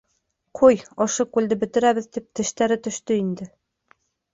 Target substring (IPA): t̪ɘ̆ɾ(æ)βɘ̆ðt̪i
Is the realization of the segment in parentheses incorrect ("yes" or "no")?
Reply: no